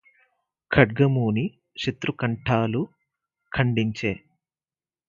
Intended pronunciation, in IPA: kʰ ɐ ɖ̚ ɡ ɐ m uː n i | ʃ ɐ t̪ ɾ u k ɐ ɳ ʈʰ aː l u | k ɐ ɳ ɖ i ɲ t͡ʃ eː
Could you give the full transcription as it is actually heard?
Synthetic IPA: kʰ ɐ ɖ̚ ɡ ɐ m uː n i | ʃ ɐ t̪ ɾ u k ɐ ɳ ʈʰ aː l u | kʰ ɐ ɳ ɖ i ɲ t͡ʃ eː